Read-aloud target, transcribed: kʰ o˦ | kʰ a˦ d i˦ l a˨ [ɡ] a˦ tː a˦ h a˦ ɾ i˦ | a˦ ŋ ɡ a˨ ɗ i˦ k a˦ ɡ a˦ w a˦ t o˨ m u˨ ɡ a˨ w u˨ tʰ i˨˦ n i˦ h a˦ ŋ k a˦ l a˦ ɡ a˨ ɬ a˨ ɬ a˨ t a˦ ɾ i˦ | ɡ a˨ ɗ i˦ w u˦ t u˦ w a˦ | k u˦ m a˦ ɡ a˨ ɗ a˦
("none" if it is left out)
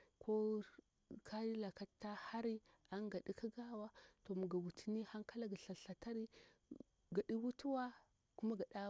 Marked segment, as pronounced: k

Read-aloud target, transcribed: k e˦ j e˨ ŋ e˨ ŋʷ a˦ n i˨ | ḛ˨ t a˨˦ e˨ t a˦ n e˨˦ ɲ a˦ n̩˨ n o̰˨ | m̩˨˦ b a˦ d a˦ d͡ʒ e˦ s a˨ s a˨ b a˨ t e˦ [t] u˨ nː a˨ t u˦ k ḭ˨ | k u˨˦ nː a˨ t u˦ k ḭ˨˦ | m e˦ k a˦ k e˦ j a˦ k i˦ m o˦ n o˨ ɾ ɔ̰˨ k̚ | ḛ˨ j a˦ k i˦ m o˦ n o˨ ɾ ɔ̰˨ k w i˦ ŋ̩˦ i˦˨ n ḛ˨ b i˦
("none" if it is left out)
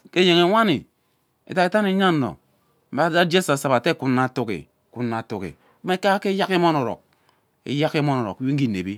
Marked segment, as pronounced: k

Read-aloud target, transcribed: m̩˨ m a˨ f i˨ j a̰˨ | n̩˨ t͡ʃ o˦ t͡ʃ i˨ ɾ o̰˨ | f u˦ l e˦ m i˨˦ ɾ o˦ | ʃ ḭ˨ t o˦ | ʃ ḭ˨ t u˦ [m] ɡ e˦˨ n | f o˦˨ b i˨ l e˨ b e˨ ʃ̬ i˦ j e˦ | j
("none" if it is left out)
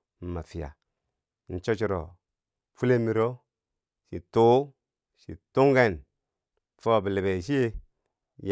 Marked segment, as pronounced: ŋ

